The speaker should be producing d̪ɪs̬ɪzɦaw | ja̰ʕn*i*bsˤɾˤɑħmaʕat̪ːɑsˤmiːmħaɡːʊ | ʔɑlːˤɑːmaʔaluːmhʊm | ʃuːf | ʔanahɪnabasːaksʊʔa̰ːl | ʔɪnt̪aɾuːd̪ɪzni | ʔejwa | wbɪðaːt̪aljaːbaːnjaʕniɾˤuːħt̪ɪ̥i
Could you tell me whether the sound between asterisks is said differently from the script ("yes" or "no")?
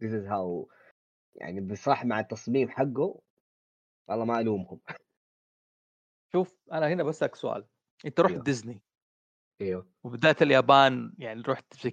no